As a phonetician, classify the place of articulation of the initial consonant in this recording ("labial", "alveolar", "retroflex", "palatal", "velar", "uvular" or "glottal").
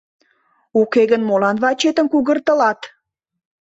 velar